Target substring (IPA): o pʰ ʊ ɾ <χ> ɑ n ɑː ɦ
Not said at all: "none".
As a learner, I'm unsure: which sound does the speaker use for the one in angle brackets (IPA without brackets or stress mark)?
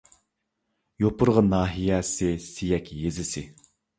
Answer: ʁ